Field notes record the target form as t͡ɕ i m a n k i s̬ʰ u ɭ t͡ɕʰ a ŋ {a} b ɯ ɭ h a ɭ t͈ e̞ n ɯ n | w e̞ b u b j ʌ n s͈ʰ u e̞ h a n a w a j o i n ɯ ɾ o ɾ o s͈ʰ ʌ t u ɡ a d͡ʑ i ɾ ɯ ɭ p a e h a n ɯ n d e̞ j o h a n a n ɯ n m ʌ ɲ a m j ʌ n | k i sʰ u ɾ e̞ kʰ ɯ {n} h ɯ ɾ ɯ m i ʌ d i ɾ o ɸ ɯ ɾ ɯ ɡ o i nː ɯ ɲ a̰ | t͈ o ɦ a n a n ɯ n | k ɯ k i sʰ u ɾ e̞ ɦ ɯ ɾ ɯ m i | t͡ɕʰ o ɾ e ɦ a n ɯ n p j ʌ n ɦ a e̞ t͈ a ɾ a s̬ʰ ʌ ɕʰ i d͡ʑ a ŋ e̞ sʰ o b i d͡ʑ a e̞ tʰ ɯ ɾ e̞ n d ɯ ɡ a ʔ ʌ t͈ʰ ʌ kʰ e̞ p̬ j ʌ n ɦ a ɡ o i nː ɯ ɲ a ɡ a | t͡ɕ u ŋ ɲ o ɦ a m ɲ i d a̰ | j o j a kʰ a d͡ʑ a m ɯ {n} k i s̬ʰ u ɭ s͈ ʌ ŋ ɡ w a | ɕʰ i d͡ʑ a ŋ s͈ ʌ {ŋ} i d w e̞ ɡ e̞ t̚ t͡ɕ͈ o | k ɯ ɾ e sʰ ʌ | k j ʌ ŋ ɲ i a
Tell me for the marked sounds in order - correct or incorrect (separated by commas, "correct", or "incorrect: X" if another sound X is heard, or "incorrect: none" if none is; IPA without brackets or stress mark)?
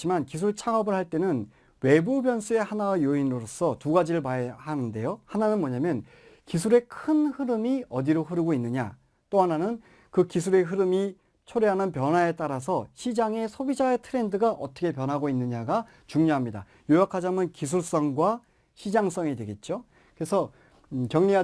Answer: incorrect: ʌ, correct, correct, correct